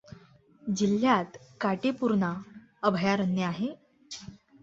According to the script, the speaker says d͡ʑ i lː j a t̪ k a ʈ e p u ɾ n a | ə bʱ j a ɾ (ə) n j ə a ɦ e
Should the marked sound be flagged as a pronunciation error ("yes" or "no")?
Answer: no